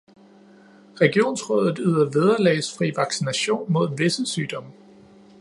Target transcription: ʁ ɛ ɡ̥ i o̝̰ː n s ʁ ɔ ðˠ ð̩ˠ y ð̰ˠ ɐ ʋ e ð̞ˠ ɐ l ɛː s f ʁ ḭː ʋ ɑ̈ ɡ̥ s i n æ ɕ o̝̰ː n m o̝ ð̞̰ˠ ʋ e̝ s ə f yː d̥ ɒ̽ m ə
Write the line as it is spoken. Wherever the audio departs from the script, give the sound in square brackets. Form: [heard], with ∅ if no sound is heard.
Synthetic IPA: ʁ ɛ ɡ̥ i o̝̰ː n s ʁ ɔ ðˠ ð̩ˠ y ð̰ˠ ɐ ʋ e ð̞ˠ ɐ l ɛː s f ʁ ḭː ʋ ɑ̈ ɡ̥ s i n æ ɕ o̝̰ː n m o̝ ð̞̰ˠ ʋ e̝ s ə [s] yː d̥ ɒ̽ m ə